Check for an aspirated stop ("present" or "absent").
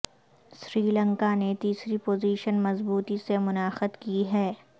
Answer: absent